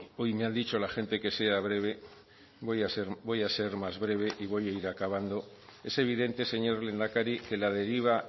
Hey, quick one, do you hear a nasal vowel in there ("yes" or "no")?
no